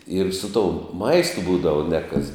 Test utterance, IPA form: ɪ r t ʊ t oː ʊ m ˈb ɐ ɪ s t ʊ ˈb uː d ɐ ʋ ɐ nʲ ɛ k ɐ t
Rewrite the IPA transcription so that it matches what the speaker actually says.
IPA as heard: ɪ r s ʊ t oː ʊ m ˈm ɐ ɪ s t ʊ ˈb uː d ɐ ʋ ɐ nʲ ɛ k ɐ s